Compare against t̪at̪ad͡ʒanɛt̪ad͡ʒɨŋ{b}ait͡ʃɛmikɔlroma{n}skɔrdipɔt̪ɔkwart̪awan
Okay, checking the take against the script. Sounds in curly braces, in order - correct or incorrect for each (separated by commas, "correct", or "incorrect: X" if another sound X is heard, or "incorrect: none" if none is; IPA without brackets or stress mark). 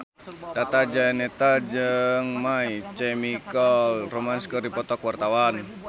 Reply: incorrect: m, correct